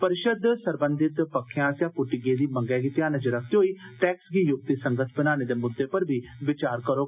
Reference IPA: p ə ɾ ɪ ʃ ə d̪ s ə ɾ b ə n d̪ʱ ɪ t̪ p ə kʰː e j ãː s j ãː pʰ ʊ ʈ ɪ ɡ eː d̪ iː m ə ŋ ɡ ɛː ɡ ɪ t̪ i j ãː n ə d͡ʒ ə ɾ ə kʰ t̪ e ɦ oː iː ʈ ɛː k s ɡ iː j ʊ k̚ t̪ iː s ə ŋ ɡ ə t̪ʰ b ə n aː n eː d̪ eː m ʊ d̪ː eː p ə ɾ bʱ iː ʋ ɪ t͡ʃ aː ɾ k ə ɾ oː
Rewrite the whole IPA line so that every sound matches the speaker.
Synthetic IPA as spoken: p ə ɾ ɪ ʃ ə d̪ s ə ɾ b ə n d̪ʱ ɪ t̪ p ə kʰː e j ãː s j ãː p ʊ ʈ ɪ ɡ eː d̪ iː m ə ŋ ɡ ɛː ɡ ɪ t̪ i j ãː n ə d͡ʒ ə ɾ ə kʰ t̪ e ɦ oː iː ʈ ɛː k s ɡ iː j ʊ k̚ t̪ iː s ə ŋ ɡ ə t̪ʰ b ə n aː n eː d̪ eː m ʊ d̪ː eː p ə ɾ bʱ iː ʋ ɪ t͡ʃ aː ɾ k ə ɾ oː